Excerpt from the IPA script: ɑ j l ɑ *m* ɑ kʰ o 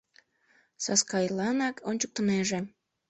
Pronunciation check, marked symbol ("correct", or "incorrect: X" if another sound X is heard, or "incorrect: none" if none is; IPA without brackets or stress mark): incorrect: n